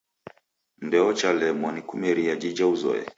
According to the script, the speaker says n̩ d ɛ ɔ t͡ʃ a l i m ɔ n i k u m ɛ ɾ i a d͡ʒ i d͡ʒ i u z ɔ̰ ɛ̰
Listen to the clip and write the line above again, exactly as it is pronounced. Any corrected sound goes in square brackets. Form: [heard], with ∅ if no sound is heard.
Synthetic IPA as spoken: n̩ d ɛ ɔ t͡ʃ a l [ɛ] m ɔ n i k u m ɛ ɾ i a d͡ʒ i d͡ʒ [a] u z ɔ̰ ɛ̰